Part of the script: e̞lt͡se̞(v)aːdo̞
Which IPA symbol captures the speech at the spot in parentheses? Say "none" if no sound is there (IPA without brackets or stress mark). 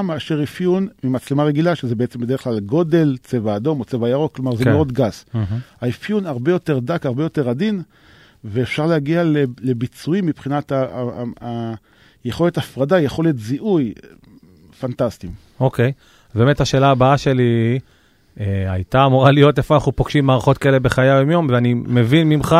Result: v